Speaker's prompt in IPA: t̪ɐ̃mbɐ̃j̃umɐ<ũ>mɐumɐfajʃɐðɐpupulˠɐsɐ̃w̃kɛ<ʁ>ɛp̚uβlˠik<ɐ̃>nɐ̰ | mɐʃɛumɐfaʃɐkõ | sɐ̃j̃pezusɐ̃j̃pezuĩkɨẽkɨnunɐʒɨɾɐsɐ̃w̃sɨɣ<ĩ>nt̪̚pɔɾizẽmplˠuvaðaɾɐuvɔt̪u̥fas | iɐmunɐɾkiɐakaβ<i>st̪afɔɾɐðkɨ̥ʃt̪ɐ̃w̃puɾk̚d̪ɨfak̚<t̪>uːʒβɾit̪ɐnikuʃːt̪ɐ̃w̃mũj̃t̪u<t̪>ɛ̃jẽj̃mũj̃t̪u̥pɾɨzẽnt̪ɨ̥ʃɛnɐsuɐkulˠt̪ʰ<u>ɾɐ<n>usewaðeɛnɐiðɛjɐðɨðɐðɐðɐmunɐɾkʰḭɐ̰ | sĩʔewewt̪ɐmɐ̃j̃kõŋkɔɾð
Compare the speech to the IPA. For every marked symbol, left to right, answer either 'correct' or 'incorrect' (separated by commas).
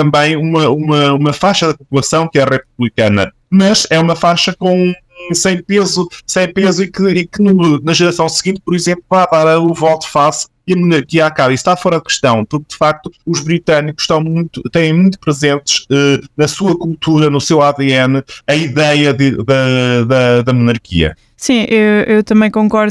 incorrect, correct, incorrect, correct, correct, correct, correct, correct, correct